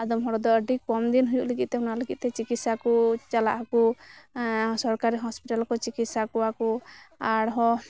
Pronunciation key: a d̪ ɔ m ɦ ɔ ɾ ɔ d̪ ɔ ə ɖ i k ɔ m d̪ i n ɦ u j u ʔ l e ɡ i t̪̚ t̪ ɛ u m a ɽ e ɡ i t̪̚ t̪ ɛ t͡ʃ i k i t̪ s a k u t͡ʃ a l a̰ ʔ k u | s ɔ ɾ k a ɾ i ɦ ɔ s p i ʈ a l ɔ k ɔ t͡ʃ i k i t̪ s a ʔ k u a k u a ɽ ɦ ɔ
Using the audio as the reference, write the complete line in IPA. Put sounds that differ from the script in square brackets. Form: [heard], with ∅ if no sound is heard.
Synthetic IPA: a d̪ ɔ m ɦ ɔ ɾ ɔ d̪ ɔ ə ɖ i k ɔ m d̪ i n ɦ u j u ʔ l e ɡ i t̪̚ t̪ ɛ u [n] a [l] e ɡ i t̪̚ t̪ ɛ t͡ʃ i k i t̪ s a k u t͡ʃ a l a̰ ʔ k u | s ɔ ɾ k a ɾ i ɦ ɔ s p i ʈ a l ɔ k ɔ t͡ʃ i k i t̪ s a [∅] k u a k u a ɽ ɦ ɔ